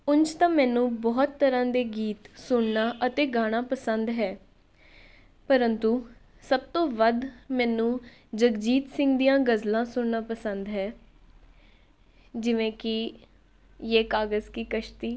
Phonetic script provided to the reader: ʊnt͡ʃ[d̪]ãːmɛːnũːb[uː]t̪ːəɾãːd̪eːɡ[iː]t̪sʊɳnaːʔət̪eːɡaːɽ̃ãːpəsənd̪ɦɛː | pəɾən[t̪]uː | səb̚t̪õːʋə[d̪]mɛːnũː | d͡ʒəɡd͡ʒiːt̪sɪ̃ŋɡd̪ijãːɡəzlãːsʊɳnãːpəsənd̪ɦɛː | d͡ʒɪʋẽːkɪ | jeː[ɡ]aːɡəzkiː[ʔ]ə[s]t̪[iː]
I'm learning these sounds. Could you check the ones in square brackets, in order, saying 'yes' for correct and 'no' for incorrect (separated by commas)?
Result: no, no, yes, yes, yes, no, no, no, yes